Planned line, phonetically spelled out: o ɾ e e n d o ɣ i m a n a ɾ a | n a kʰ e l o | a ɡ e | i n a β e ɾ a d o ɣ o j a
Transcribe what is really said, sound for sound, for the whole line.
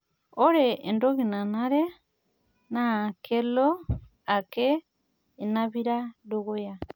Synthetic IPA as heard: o ɾ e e n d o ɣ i n a n a ɾ e | n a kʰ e l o | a k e | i n a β i ɾ a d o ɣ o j a

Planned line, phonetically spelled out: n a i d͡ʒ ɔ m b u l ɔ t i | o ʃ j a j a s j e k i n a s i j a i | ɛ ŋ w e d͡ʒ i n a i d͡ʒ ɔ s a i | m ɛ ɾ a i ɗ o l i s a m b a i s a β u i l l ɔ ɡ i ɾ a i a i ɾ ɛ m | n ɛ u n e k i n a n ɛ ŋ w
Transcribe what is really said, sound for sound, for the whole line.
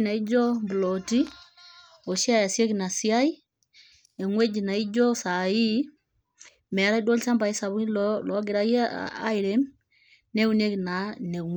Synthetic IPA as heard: n a i d͡ʒ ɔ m b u l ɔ t i | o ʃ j a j a s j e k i n a s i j a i | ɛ ŋ w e d͡ʒ i n a i d͡ʒ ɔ s a i | m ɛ ɾ a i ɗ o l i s a m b a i s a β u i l l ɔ ɡ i ɾ a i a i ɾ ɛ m | n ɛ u n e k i n a n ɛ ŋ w

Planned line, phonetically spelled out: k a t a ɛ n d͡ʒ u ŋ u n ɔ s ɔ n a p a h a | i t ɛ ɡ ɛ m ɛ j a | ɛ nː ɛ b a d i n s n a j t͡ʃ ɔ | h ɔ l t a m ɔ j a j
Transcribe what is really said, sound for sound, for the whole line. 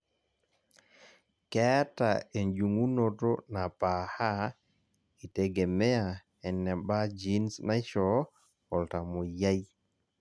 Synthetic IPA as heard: k ɛ t a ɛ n d͡ʒ u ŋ u n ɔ t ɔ n a p a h a | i t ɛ ɡ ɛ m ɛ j a | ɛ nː ɛ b a d͡ʒ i n s n a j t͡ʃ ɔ | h ɔ l t a m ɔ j a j

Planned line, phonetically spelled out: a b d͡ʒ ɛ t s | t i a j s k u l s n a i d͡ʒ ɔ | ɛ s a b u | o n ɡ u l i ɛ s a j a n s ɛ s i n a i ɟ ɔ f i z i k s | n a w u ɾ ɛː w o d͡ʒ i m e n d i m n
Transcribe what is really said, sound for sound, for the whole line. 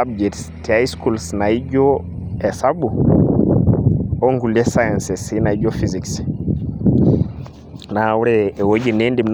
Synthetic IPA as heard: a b d͡ʒ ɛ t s | t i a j s k u l s n a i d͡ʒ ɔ | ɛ s a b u | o ŋ ɡ u l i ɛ s a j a n s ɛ s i n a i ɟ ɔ f i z i k s | n a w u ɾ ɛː w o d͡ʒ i n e n d i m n

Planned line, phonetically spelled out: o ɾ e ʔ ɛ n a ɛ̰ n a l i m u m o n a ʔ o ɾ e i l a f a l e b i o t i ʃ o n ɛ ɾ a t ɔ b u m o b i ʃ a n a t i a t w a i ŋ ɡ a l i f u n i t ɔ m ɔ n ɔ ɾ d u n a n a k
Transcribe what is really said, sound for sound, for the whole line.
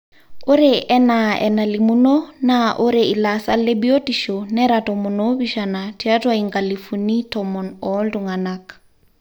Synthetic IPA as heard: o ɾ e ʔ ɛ n a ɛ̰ n a l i m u n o n a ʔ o ɾ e i l a s a l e b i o t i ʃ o n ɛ ɾ a t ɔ m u n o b i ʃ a n a t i a t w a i ŋ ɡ a l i f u n i t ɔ m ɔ n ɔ l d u ŋ a n a k

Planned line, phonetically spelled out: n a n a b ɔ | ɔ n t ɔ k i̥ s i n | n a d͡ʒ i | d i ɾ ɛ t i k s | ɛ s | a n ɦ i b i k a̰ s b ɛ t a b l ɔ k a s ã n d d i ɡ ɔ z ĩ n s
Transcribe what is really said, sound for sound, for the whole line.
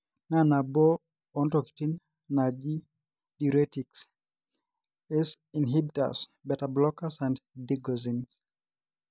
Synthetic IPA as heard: n a n a b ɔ | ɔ n t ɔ k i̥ t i n | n a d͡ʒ i | d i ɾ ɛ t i k s | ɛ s | i n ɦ i b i t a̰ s b ɛ t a b l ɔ k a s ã n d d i ɡ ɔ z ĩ n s

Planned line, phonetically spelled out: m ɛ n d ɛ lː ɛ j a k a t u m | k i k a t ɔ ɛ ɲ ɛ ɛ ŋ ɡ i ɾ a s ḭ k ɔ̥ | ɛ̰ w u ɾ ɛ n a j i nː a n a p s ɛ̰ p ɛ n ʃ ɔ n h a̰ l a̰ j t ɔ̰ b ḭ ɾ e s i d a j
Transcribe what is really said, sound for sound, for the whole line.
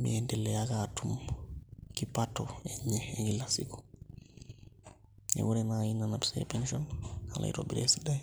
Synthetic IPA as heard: m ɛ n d ɛ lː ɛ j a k a t u m | k i p a t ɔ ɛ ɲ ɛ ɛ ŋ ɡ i l a s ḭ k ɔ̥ | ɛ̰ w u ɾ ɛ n a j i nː a n a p s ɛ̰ p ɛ n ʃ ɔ n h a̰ l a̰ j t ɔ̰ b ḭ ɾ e s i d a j

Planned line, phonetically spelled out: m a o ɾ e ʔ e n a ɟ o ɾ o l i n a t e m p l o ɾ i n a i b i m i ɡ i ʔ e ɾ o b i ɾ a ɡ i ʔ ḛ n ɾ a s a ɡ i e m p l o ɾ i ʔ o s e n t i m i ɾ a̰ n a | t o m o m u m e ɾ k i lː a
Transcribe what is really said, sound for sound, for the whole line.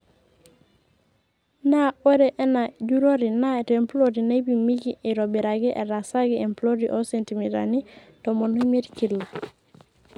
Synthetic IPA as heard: n a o ɾ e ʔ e n a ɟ u ɾ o ɾ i n a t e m p l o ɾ i n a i b i m i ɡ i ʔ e ɾ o b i ɾ a ɡ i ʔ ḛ ɾ a s a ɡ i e m p l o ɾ i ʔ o s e n t i m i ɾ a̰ n i | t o m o n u m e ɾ k i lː a

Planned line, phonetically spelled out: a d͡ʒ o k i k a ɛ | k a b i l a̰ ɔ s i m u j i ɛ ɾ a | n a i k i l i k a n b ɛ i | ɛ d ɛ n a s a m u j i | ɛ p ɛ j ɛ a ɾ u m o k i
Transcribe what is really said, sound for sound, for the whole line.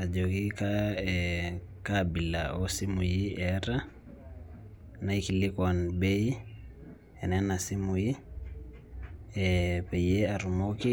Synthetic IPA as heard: a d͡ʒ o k i k a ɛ | k a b i l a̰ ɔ s i m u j i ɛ ɾ a | n a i k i l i k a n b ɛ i | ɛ n ɛ n a s i m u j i | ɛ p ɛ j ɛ a ɾ u m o k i

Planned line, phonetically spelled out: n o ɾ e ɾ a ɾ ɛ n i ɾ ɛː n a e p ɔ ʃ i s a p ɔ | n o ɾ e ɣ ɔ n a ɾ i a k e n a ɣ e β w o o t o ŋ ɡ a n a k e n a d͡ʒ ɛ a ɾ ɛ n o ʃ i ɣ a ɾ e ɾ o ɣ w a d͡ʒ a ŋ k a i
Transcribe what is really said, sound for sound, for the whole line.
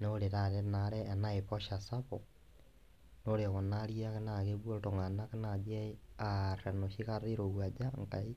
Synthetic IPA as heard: n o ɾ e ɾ a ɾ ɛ n a ɾ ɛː n a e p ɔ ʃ a s a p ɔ | n o ɾ e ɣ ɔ n a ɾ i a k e n a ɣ e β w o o t o ŋ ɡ a n a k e n a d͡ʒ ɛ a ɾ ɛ n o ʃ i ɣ a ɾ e ɾ o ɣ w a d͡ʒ a ŋ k a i

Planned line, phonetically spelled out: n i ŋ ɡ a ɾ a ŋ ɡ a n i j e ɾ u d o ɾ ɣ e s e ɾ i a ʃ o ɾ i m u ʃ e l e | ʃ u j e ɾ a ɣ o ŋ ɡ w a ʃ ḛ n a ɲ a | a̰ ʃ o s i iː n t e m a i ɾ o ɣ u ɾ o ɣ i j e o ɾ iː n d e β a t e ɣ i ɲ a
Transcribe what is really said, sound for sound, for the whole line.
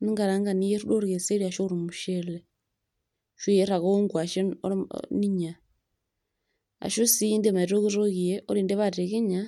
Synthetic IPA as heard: n i ŋ ɡ a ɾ a ŋ ɡ a n i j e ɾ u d o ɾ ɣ e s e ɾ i a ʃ o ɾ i m u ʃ e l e | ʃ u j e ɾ a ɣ o ŋ ɡ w a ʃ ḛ n i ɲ a | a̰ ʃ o s i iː n d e m a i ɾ o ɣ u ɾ o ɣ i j e o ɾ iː n d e β a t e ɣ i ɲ a

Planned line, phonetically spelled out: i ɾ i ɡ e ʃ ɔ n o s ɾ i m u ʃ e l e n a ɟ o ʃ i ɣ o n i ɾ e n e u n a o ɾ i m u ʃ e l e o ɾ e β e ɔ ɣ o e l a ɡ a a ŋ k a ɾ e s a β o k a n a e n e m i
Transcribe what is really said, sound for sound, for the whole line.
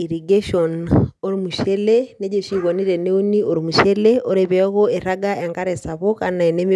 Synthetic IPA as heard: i ɾ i ɡ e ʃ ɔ n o ɾ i m u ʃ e l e n e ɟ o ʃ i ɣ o n i ɾ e n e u n i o ɾ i m u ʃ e l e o ɾ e β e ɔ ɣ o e ɾ a ɡ a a ŋ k a ɾ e s a β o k a n a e n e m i

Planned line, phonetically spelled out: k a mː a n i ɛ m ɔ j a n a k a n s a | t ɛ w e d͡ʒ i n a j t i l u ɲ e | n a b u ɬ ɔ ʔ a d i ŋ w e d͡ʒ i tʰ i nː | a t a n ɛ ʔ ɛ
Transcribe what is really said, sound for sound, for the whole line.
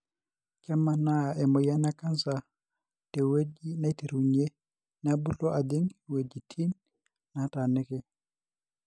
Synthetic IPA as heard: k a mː a n a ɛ m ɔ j a n a k a n s a | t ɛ w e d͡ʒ i n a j t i ɾ u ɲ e | n a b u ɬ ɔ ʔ a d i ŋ w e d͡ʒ i tʰ i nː | a t a n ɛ k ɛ

